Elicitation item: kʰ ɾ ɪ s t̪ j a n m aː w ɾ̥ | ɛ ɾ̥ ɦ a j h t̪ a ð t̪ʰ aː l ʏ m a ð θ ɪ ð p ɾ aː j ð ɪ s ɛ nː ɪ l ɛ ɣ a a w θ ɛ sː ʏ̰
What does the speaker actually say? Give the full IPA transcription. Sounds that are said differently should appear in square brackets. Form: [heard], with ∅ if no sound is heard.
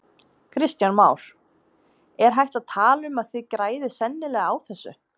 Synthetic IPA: kʰ ɾ ɪ s t̪ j a n m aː w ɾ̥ | ɛ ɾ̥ ɦ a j h t̪ a ð t̪ʰ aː l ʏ m a ð θ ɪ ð [k] ɾ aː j ð ɪ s ɛ nː ɪ l ɛ ɣ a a w θ ɛ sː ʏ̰